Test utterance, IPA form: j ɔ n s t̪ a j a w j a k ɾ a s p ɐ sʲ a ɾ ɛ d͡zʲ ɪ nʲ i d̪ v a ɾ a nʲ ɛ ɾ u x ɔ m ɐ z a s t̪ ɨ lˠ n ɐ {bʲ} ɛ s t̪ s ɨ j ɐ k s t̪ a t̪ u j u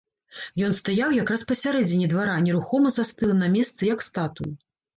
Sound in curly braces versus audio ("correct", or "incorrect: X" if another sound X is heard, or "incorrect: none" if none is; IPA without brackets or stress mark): incorrect: mʲ